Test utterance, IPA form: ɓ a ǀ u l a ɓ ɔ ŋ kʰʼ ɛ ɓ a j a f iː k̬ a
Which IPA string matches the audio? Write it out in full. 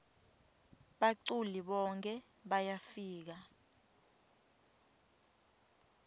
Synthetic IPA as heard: ɓ a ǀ u l i ɓ ɔ ŋ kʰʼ ɛ ɓ a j a f iː k̬ a

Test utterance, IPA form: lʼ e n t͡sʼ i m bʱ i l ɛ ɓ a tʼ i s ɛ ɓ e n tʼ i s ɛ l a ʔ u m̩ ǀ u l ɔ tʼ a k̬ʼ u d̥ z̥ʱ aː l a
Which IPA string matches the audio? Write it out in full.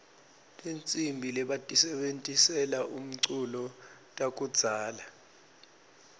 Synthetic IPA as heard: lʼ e n t͡sʼ i m bʱ i l ɛ ɓ a tʼ i s ɛ ɓ e n tʼ i s ɛ l a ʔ u m̩ ǀ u l ɔ tʼ a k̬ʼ u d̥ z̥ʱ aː l a

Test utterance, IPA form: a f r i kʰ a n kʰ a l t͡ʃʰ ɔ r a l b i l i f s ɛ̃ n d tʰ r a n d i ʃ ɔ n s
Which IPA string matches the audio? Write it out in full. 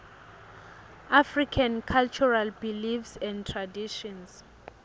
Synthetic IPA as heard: a f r i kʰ a n kʰ a l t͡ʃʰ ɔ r a l b i l i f s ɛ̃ n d tʰ r a d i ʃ ɔ n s

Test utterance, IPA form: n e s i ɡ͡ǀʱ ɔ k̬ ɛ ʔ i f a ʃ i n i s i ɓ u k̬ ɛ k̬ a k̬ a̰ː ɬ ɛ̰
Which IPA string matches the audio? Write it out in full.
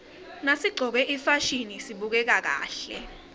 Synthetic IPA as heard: n a s i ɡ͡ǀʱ ɔ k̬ ɛ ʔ i f a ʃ i n i s i ɓ u k̬ ɛ k̬ a k̬ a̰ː ɬ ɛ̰

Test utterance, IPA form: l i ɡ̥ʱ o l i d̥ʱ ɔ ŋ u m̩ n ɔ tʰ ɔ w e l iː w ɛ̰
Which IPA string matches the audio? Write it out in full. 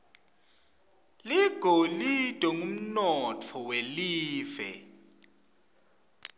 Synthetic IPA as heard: l i ɡ̥ʱ o l i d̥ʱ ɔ ŋ u m̩ n ɔ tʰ ɔ w e l iː v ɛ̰

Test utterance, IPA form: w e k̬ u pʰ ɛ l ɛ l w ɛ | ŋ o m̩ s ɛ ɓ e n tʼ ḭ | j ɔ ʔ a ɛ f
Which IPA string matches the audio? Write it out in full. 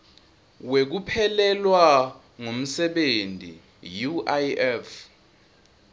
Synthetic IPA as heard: w e k̬ u pʰ ɛ l ɛ l w a | ŋ o m̩ s ɛ ɓ e n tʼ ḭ | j u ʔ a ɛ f

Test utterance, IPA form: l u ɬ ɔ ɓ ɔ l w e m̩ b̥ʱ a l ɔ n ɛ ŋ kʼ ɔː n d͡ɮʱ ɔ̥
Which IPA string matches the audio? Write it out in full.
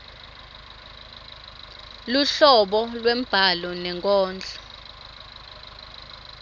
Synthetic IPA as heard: l u ɬ ɔ ɓ ɔ l w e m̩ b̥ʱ a l ɔ n ɛ ŋ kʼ ɔː n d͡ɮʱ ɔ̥

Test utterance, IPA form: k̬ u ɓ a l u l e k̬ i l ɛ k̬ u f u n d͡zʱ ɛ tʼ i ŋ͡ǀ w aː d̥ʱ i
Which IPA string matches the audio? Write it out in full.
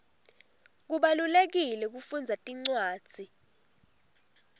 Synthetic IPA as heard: k̬ u ɓ a l u l e k̬ i l ɛ k̬ u f u n d͡zʱ a tʼ i ŋ͡ǀ w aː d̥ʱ i

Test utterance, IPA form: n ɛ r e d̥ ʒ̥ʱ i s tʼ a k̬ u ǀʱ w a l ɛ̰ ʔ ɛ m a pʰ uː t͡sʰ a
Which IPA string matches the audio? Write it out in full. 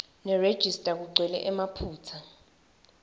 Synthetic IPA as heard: n ɛ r e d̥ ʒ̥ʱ i s tʼ a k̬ u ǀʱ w ɛ l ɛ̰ ʔ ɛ m a pʰ uː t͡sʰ a

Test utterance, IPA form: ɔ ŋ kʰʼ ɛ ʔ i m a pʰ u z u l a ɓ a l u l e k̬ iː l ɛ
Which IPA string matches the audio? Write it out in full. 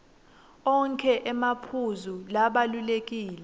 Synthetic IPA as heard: ɔ ŋ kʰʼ ɛ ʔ ɛ m a pʰ u z u l a ɓ a l u l e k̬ iː l ɛ

